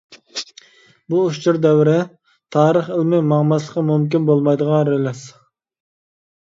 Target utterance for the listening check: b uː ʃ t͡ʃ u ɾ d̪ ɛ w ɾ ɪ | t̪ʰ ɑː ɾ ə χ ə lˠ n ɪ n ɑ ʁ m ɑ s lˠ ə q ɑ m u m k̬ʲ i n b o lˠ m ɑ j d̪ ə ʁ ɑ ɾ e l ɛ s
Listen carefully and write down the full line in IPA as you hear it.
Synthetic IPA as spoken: b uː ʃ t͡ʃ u ɾ d̪ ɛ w ɾ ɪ | t̪ʰ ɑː ɾ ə χ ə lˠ m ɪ m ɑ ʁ m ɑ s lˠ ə q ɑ m u m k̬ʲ i n b o lˠ m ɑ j d̪ ə ʁ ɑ ɾ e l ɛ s